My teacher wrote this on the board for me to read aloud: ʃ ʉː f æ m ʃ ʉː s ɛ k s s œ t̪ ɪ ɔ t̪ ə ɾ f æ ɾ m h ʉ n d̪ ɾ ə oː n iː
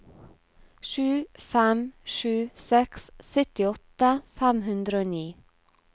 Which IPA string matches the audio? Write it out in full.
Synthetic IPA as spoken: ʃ ʉː f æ m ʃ ʉː s ɛ k s s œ t̪ ɪ ɔ t̪ ə f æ m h ʉ n d̪ ɾ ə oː n iː